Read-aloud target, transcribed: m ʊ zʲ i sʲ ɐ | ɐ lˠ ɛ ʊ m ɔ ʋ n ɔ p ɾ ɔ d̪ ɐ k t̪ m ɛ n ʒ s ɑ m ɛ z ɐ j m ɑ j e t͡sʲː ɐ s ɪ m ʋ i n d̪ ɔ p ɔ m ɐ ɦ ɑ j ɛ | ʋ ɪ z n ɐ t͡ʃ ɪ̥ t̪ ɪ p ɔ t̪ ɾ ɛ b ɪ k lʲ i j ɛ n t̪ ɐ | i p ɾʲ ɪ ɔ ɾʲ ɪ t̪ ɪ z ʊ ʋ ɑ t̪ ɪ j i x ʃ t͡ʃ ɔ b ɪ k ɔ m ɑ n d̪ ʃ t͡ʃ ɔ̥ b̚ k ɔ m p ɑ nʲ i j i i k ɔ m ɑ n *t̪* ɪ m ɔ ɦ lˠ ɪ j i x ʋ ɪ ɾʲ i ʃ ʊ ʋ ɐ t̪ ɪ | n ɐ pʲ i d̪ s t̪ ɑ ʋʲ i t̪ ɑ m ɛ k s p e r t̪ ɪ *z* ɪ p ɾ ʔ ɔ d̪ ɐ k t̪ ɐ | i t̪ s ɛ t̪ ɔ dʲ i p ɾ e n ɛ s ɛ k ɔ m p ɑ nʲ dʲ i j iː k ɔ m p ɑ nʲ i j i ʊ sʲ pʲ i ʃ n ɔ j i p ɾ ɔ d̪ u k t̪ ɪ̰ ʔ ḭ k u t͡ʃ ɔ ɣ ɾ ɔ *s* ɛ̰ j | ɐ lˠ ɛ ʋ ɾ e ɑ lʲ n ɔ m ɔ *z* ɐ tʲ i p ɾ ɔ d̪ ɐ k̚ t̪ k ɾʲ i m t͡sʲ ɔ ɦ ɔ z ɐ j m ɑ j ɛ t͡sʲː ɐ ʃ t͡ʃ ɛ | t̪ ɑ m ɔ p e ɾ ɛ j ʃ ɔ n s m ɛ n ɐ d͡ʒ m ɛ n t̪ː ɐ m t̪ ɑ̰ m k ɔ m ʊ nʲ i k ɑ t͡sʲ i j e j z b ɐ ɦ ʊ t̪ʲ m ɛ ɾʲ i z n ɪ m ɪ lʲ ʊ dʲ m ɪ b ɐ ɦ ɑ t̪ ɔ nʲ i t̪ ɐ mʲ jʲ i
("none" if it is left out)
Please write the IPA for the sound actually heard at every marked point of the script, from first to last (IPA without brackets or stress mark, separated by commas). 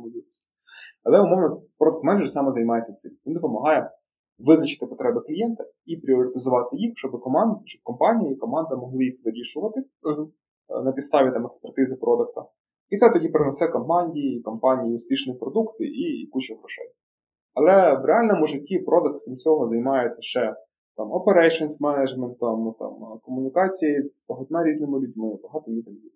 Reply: d̪, z, ʃ, ʒ